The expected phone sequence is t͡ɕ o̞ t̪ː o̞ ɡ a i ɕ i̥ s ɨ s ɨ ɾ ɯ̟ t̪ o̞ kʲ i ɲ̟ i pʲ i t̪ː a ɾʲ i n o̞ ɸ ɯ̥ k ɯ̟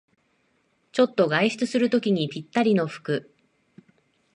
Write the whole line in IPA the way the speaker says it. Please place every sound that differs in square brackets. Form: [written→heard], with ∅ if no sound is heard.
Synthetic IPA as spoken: t͡ɕ o̞ t̪ː o̞ ɡ a i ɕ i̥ [s→t͡s] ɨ s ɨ ɾ ɯ̟ t̪ o̞ kʲ i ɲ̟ i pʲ i t̪ː a ɾʲ i n o̞ ɸ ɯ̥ k ɯ̟